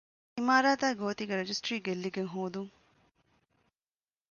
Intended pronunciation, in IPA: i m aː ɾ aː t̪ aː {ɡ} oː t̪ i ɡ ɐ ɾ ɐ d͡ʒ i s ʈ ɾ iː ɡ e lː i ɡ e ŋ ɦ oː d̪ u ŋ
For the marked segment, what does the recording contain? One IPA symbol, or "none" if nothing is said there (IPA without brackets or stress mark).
ɡ